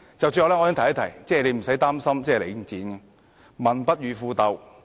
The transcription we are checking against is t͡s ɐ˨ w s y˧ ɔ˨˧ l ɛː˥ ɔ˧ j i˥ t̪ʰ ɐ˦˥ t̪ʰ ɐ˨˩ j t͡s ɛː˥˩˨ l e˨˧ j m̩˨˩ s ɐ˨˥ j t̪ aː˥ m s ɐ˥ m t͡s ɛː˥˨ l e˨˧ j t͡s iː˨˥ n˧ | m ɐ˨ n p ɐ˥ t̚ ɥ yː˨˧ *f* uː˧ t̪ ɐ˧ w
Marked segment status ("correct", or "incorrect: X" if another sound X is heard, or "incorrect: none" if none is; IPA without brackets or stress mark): correct